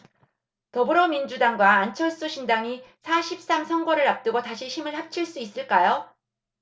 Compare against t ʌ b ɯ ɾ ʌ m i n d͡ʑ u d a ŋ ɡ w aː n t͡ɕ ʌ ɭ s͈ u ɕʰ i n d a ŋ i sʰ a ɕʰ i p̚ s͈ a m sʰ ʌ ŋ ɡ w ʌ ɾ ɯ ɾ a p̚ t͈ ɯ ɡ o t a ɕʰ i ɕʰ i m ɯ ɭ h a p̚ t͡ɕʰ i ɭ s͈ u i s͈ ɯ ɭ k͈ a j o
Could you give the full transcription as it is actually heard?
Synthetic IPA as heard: t ʌ b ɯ ɾ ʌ m i n d͡ʑ u d a ŋ ɡ w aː n t͡ɕʰ ʌ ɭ s͈ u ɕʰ i n d a ŋ i sʰ a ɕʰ i p̚ s͈ a m sʰ ʌ ŋ ɡ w ʌ ɾ ɯ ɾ a p̚ t͈ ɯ ɡ o t a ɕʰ i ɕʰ i m ɯ ɭ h a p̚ t͡ɕʰ i ɭ s͈ u i s͈ ɯ ɭ k͈ a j o